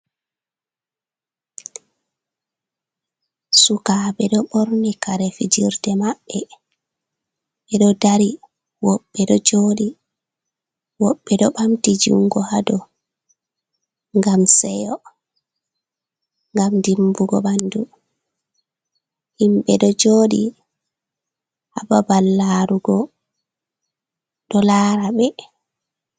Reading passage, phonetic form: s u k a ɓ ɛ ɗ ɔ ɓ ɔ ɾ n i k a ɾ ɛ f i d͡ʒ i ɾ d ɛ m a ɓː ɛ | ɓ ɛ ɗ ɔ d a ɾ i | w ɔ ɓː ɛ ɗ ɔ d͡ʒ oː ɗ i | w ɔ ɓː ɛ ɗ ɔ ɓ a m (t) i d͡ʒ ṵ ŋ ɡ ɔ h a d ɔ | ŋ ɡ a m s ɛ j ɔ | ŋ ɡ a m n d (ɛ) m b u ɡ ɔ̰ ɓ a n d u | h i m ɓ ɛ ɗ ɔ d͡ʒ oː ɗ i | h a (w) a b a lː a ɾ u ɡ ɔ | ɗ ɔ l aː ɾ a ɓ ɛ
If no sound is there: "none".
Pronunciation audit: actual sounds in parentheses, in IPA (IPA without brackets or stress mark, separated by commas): t, i, b